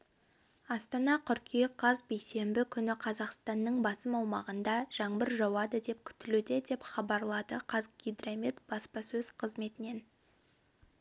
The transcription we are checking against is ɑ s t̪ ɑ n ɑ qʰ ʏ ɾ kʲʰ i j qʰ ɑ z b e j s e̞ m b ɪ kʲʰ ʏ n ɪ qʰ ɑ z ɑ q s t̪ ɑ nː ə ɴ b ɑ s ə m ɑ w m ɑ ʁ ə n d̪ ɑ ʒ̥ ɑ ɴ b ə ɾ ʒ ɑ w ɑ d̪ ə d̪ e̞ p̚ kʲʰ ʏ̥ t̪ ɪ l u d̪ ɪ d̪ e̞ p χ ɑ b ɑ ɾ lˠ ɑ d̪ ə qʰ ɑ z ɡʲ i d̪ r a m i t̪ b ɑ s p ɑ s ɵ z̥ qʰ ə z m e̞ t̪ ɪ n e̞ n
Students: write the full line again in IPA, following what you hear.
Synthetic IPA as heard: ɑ s t̪ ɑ n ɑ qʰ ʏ ɾ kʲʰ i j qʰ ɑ z b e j s e̞ m b ɪ kʲʰ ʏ n ɪ qʰ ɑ z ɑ q s t̪ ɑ nː ə ɴ b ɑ s ə m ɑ w m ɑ ʁ ə n d̪ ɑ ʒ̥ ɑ ɴ b ə ɾ ʒ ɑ w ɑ d̪ ə d̪ e̞ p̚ kʲʰ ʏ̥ t̪ ɪ l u d̪ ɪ d̪ e̞ p χ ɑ b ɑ ɾ lˠ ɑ d̪ ə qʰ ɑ z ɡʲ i d̪ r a m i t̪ b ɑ s p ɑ s ɵ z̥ qʰ ə z m e̞ t̪ ɪ n e̞ n